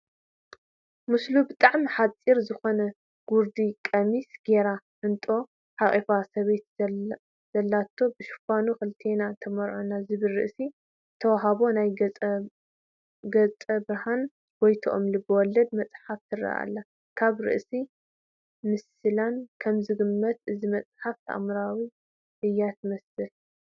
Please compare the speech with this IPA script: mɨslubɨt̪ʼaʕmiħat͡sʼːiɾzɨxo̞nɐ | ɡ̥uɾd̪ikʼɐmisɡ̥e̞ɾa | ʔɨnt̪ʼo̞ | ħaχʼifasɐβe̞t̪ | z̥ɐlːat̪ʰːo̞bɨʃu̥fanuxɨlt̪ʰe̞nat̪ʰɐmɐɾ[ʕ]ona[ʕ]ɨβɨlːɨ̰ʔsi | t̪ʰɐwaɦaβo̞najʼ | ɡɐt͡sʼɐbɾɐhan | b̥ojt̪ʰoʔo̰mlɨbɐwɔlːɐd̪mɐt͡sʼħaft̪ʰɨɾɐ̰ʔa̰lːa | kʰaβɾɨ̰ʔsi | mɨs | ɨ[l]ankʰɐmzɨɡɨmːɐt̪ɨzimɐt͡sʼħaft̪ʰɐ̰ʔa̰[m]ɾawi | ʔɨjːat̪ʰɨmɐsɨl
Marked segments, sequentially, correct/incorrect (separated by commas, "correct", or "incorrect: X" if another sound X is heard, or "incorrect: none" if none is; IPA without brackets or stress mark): correct, incorrect: z, correct, correct